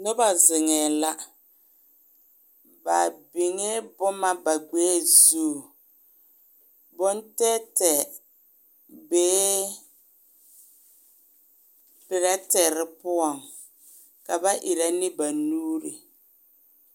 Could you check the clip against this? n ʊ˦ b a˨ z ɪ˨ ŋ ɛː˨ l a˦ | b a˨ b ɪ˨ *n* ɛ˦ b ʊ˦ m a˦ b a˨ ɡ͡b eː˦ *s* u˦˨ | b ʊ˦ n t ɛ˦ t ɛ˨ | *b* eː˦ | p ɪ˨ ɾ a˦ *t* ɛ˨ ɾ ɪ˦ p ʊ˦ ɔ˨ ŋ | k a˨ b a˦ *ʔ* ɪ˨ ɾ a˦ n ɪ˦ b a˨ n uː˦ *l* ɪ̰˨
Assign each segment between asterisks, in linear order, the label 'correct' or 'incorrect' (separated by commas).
incorrect, incorrect, correct, correct, correct, incorrect